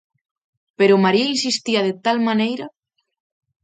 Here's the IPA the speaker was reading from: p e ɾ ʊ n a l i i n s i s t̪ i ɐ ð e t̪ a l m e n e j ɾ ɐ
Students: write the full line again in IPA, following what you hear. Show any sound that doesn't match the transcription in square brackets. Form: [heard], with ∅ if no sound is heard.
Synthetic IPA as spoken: p e ɾ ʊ [m] a [ɾ] i i n s i s t̪ i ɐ ð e t̪ a l m [a] n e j ɾ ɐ